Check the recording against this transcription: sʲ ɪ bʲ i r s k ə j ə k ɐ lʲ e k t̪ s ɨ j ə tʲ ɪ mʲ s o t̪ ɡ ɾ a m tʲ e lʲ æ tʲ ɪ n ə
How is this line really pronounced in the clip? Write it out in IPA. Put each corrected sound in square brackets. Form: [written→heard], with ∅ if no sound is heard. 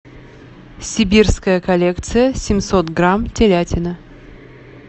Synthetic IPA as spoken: sʲ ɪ bʲ i r s k ə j ə k ɐ lʲ e k t̪ s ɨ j ə [tʲ→sʲ] ɪ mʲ s o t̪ ɡ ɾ a m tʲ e lʲ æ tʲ ɪ n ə